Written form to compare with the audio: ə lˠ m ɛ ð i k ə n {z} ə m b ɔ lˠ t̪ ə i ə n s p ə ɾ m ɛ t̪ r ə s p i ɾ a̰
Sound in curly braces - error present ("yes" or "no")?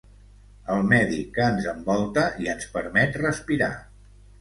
no